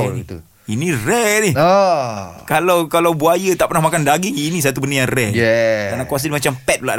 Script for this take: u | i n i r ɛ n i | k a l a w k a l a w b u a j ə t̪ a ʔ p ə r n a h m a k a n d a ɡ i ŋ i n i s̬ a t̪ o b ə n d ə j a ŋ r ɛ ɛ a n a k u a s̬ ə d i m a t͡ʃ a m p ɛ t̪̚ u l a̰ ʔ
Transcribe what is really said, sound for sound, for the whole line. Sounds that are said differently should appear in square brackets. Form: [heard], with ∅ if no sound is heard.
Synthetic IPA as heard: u | i n i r ɛ n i | k a l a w k a l a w b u a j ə t̪ a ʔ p ə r n a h m a k a n d a ɡ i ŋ i n i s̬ a t̪ [u] b ə n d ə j a ŋ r ɛ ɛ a n a k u a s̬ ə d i m a t͡ʃ a m p ɛ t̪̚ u l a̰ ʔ